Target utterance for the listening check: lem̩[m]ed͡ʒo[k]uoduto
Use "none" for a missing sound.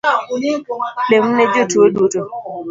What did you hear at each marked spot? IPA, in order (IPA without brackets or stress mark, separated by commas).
n, t